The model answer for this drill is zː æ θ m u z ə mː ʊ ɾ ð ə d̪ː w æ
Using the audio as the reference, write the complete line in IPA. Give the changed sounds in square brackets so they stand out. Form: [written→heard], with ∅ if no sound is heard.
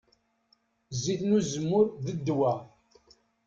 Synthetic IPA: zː [æ→i] θ [m→n] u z ə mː ʊ ɾ ð ə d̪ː w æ